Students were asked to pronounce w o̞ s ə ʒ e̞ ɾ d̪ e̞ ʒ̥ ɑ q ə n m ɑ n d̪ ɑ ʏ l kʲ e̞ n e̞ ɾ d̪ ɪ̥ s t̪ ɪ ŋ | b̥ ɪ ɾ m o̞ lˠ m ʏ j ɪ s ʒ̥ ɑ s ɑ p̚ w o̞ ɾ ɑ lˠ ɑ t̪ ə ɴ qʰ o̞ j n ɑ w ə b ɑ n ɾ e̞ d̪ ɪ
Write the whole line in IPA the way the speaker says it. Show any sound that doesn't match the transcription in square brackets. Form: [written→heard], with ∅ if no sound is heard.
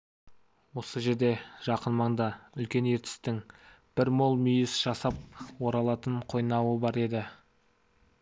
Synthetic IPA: w o̞ s ə ʒ e̞ ɾ d̪ e̞ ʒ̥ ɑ q ə n m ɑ [n→ɴ] d̪ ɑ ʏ l kʲ e̞ n e̞ ɾ [d̪→t̪] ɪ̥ s t̪ ɪ ŋ | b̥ ɪ ɾ m o̞ lˠ m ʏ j ɪ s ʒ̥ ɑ s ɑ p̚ w o̞ ɾ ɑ lˠ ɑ t̪ ə ɴ qʰ o̞ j n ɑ w ə b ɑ [n→∅] ɾ e̞ d̪ ɪ